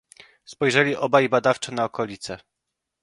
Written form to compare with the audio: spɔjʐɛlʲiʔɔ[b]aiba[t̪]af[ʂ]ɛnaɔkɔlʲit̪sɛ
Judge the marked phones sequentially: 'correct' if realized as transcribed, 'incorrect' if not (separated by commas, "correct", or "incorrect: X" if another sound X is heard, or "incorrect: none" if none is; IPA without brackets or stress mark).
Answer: correct, incorrect: d̪, incorrect: t͡ʂ